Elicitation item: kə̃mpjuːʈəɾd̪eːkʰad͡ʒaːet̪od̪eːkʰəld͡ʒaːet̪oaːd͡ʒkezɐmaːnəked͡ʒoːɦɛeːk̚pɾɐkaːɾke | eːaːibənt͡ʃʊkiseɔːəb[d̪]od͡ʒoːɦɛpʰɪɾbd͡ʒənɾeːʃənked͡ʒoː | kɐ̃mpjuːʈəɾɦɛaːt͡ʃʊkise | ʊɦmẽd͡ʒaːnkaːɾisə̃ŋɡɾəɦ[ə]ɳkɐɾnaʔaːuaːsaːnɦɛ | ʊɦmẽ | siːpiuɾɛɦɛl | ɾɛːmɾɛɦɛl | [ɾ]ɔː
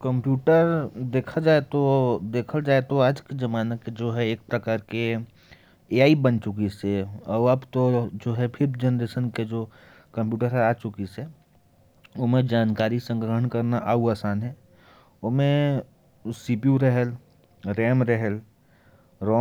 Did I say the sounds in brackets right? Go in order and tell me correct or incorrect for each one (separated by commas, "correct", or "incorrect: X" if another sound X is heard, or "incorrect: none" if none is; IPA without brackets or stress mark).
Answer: incorrect: t̪, correct, correct